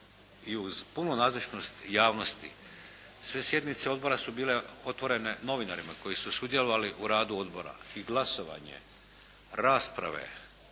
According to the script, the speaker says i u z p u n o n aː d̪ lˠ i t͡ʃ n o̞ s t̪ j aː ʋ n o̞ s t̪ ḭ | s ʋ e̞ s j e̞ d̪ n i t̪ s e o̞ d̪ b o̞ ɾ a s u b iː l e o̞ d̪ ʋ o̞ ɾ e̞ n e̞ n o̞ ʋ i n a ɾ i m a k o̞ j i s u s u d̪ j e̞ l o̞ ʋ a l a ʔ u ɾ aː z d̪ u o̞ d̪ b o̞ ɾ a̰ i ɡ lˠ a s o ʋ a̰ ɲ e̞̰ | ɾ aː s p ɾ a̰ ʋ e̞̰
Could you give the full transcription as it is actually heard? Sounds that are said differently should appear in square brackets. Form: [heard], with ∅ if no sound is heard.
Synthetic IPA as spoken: i u z p u n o n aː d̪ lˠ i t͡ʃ n o̞ s t̪ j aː ʋ n o̞ s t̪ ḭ | s ʋ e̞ s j e̞ d̪ n i t̪ s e o̞ d̪ b o̞ ɾ a s u b iː l e o̞ [t̪] ʋ o̞ ɾ e̞ n e̞ n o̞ ʋ i n a ɾ i m a k o̞ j i s u s u d̪ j e̞ l o̞ ʋ a l [i] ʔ u ɾ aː [∅] d̪ u o̞ d̪ b o̞ ɾ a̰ i ɡ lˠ a s o ʋ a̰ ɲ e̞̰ | ɾ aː s p ɾ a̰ ʋ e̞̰

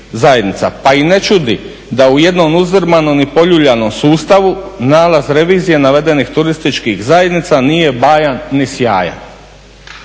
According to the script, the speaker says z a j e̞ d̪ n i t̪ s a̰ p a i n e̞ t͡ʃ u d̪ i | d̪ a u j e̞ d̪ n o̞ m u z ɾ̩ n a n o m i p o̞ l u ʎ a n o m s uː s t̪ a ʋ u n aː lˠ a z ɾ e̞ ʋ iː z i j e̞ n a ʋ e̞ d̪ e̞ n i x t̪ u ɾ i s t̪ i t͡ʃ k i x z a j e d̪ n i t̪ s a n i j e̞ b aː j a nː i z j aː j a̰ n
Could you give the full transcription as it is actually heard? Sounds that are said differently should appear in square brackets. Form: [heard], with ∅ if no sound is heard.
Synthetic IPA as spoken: z a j e̞ d̪ n i t̪ s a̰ p a i n e̞ t͡ʃ u d̪ i | d̪ a u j e̞ d̪ n o̞ m u z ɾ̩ [m] a n o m i p o̞ [ʎ] u ʎ a n o m s uː s t̪ a ʋ u n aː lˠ a z ɾ e̞ ʋ iː z i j e̞ n a ʋ e̞ d̪ e̞ n i x t̪ u ɾ i s t̪ i t͡ʃ k i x z a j e d̪ n i t̪ s a n i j e̞ b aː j a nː i [s] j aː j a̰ n

